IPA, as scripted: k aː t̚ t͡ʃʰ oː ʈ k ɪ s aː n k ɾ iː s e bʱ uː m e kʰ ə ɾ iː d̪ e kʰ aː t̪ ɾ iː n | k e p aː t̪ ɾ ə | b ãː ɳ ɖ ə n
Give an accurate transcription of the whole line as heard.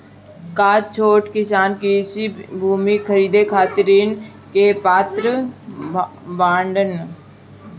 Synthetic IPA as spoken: k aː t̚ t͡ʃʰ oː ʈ k ɪ s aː n k ɾ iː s i bʱ uː m i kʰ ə ɾ iː d̪ e kʰ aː t̪ ɾ iː n | k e p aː t̪ ɾ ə | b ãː ɳ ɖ ə n